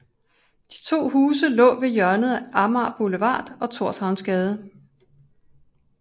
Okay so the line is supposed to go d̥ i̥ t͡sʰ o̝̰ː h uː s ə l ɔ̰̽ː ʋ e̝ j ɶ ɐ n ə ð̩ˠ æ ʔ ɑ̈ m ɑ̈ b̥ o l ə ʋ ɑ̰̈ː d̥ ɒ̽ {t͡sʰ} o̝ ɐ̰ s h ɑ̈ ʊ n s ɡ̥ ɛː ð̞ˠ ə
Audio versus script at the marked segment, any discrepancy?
no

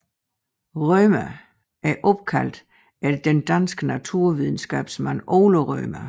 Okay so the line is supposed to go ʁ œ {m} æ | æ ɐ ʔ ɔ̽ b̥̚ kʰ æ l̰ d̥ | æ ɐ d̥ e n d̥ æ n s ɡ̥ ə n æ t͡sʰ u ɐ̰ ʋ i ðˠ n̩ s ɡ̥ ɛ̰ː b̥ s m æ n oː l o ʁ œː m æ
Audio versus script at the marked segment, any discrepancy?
no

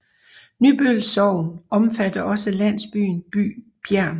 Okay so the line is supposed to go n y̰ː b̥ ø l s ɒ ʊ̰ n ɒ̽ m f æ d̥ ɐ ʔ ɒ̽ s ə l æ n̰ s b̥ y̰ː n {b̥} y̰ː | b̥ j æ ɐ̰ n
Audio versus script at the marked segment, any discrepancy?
no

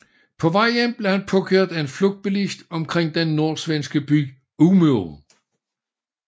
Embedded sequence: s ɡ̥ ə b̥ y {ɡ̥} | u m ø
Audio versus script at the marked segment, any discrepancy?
no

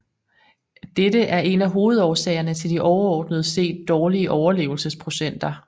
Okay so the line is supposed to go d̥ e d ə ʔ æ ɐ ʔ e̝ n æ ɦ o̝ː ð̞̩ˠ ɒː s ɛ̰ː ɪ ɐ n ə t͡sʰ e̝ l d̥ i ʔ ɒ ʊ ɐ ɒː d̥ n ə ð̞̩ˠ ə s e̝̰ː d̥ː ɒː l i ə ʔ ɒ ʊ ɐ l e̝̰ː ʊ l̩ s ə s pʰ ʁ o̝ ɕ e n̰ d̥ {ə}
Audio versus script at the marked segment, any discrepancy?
yes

